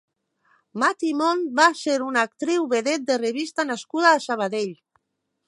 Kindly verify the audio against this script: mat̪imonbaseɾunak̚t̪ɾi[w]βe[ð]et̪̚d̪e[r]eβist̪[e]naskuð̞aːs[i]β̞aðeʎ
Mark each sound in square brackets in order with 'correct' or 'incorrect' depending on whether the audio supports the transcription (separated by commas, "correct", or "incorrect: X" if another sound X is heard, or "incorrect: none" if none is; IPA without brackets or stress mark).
correct, correct, correct, incorrect: a, incorrect: a